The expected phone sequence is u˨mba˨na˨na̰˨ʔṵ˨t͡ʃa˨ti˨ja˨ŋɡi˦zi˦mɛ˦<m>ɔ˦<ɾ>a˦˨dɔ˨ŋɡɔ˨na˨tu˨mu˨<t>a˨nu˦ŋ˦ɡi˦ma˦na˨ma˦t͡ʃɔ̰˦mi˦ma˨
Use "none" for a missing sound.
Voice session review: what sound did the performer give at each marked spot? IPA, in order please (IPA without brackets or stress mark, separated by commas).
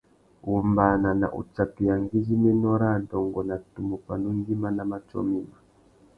n, ɾ, p